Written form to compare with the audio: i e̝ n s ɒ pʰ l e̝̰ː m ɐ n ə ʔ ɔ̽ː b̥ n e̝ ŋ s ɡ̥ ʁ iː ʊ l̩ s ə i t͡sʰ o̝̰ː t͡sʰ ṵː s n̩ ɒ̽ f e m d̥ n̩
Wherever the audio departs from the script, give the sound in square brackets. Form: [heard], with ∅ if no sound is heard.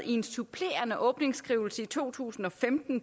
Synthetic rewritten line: i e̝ n s [u] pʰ l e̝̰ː [∅] ɐ n ə ʔ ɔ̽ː b̥ n e̝ ŋ s ɡ̥ ʁ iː ʊ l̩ s ə i t͡sʰ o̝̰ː t͡sʰ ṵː s n̩ ɒ̽ f e m d̥ n̩